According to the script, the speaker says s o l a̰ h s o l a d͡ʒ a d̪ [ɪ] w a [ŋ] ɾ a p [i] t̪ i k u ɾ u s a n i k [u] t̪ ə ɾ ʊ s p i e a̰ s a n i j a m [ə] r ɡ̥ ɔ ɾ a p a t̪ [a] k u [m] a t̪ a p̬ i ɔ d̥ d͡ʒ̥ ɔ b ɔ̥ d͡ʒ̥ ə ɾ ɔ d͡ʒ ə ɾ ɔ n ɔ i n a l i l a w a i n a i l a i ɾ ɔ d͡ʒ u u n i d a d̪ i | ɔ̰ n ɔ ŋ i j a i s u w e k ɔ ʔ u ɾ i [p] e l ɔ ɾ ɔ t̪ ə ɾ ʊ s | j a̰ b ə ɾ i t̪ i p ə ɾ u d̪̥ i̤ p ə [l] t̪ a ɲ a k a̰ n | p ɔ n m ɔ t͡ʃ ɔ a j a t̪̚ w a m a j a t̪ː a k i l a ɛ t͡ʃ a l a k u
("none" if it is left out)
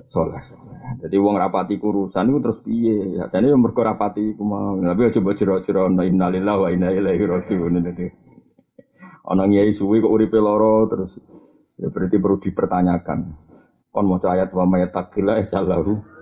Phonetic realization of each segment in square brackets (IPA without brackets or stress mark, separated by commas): i, ŋ, a, u, ə, i, m, p, r